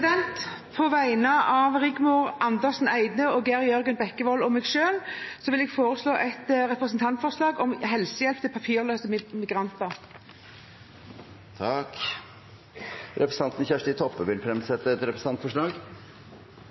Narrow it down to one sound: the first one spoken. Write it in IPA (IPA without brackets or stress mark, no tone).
d̪